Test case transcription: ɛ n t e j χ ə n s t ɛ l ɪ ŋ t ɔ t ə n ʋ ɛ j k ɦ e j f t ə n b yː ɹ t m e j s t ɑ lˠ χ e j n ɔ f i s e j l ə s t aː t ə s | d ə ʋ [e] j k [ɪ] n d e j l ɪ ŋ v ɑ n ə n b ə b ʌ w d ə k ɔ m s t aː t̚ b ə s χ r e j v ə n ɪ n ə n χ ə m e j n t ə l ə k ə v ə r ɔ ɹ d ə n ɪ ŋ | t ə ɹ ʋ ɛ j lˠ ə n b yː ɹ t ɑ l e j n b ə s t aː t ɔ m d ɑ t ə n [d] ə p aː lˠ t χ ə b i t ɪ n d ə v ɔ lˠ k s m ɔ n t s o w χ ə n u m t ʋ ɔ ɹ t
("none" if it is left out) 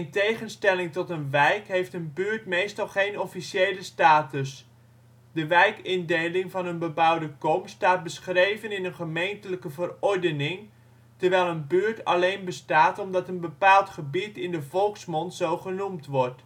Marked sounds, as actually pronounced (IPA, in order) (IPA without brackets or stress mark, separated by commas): ɛ, ɪ, b